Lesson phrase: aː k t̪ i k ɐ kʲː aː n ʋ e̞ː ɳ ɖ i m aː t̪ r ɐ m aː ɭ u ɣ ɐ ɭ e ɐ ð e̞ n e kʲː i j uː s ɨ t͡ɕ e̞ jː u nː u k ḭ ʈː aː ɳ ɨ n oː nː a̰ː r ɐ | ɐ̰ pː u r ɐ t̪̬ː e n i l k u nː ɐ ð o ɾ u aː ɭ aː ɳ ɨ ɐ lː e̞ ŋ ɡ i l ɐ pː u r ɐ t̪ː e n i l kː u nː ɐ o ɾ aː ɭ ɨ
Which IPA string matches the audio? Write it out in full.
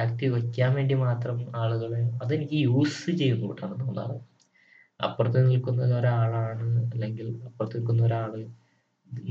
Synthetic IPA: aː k t̪ i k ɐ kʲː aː n ʋ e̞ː ɳ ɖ i m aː t̪ r ɐ m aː ɭ u ɣ ɐ ɭ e ɐ ð e̞ n i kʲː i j uː s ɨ t͡ɕ e̞ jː u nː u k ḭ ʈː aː ɳ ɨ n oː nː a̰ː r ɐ | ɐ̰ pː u r ɐ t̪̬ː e n i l k u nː ɐ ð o ɾ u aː ɭ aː ɳ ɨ ɐ lː e̞ ŋ ɡ i l ɐ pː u r ɐ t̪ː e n i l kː u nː ɐ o ɾ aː ɭ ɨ